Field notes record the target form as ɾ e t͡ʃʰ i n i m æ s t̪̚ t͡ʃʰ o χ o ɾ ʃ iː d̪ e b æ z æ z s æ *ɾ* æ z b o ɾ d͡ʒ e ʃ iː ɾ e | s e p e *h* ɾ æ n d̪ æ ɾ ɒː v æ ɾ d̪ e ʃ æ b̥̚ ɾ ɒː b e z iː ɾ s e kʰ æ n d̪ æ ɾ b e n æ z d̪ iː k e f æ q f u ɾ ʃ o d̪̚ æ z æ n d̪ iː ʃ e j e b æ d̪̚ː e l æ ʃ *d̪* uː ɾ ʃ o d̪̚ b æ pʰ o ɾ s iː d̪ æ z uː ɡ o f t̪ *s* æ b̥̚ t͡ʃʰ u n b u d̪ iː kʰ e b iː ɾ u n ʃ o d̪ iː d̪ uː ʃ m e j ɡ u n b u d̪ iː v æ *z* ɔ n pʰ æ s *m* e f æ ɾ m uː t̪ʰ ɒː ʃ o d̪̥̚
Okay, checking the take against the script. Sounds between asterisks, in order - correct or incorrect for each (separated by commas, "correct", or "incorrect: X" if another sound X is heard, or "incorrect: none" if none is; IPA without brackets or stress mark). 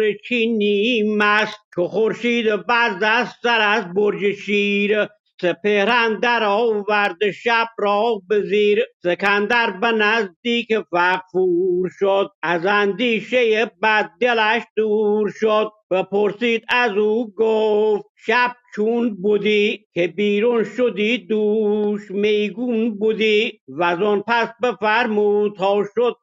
correct, correct, correct, incorrect: ʃ, correct, incorrect: b